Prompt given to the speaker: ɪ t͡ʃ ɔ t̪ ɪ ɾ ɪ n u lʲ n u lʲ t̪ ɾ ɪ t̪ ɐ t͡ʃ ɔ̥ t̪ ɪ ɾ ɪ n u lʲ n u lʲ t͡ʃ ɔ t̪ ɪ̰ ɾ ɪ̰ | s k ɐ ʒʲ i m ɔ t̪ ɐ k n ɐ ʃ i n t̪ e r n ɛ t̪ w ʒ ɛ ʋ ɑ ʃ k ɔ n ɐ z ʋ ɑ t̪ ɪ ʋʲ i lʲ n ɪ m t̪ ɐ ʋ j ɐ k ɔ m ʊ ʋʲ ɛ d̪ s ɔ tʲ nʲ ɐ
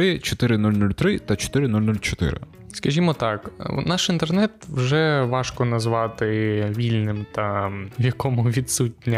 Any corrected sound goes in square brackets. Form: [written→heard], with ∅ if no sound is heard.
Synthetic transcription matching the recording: ɪ t͡ʃ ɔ t̪ ɪ ɾ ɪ n u lʲ n u lʲ t̪ ɾ ɪ t̪ ɐ t͡ʃ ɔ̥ t̪ ɪ ɾ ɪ n u lʲ n u lʲ t͡ʃ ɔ t̪ ɪ̰ ɾ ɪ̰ | s k ɐ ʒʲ i m ɔ t̪ [ɐ→ɑ] k n [ɐ→ɑ] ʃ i n t̪ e r n ɛ t̪ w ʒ ɛ ʋ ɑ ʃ k ɔ n ɐ z ʋ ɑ t̪ ɪ ʋʲ i lʲ n ɪ m t̪ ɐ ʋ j ɐ k ɔ m ʊ ʋʲ [ɛ→i] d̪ s [ɔ→u] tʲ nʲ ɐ